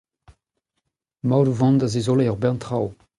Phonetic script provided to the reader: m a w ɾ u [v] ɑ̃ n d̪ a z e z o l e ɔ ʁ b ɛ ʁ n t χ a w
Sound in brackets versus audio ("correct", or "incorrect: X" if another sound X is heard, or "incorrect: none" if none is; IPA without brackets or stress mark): correct